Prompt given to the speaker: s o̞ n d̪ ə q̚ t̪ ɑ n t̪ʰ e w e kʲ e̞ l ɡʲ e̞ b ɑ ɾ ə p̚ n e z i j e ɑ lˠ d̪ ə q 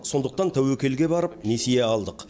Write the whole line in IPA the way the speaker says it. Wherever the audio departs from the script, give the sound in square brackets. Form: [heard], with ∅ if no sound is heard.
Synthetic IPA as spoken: s o̞ n d̪ ə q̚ t̪ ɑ n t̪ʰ [æ] w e kʲ e̞ l ɡʲ e̞ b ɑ ɾ ə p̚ n e [s] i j e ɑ lˠ d̪ ə q